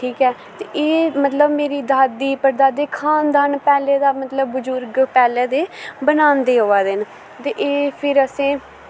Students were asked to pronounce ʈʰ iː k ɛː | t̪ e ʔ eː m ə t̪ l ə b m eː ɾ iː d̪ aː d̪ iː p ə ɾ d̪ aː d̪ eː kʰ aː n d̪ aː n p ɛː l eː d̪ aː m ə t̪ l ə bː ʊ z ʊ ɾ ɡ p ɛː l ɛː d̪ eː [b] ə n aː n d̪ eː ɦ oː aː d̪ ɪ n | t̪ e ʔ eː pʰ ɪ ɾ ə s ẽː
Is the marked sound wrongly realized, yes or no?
no